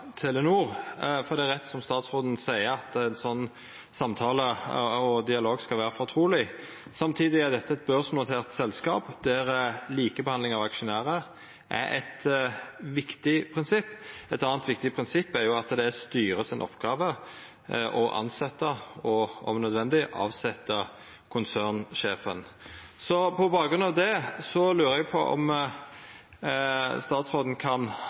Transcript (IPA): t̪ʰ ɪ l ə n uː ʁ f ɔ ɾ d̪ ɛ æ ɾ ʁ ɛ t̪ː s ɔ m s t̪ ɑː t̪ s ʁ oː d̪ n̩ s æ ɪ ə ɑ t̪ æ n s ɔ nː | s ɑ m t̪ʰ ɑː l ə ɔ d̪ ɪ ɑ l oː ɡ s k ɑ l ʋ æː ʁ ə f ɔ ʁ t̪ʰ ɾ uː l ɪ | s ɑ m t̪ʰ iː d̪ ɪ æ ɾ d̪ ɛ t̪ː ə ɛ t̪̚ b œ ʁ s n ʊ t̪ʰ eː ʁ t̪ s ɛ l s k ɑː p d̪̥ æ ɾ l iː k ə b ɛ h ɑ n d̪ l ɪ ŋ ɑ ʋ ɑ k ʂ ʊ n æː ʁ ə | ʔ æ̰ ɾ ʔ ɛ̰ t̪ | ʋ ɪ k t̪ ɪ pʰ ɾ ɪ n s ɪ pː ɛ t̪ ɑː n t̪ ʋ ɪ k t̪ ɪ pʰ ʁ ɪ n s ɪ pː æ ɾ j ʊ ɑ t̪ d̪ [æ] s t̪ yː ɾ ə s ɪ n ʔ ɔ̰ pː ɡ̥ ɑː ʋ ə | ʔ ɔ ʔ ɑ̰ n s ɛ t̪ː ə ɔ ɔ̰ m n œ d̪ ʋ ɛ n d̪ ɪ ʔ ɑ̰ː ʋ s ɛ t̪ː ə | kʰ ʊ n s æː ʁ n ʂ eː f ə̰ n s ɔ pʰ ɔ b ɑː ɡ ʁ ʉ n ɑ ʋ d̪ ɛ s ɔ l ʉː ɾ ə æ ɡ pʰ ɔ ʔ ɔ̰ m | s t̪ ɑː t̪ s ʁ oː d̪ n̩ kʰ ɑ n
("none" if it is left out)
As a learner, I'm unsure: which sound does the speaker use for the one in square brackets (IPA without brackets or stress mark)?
ɛ